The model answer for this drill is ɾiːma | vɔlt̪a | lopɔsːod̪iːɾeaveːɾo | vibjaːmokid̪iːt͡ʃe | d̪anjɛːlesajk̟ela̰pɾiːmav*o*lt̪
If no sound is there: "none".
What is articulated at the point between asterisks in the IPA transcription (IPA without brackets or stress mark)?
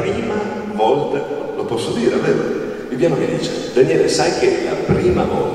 ɔ